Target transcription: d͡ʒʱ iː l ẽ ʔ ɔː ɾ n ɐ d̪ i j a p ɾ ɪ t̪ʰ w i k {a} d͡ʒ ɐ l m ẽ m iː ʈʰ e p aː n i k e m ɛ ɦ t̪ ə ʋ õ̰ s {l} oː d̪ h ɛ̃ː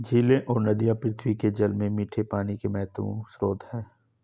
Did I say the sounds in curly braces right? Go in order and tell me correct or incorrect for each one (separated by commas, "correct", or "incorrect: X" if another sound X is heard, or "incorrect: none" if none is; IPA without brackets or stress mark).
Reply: incorrect: e, incorrect: ɾ